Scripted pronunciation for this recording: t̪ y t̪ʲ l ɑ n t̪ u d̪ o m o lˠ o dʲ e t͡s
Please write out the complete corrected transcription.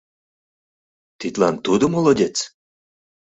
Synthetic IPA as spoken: t̪ i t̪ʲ l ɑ n t̪ u d̪ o m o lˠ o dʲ e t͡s